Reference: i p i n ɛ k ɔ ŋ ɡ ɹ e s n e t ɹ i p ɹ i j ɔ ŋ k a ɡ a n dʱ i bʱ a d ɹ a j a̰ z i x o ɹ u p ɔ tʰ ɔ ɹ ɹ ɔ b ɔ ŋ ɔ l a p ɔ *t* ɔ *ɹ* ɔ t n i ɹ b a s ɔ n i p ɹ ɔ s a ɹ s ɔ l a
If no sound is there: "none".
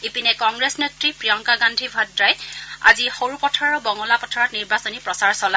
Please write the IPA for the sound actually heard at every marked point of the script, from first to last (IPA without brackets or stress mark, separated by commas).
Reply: tʰ, ɹ